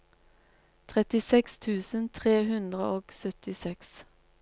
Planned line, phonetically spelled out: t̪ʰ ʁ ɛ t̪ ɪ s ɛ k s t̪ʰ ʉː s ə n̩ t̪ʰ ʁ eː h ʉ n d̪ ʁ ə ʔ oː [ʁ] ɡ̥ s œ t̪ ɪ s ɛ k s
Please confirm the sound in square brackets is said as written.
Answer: no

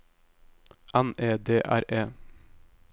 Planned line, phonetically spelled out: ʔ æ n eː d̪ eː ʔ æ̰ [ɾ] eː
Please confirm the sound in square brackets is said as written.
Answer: yes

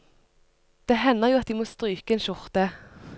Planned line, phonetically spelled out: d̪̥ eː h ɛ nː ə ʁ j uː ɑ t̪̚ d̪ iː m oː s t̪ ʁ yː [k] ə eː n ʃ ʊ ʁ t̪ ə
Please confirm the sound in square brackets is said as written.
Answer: yes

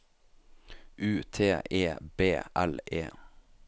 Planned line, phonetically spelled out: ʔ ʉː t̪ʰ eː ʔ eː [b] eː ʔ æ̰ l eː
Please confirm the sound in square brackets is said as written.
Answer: yes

